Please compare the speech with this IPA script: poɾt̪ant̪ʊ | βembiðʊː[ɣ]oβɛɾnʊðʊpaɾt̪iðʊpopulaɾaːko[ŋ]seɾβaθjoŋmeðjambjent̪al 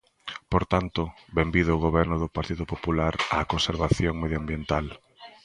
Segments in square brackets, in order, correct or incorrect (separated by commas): correct, incorrect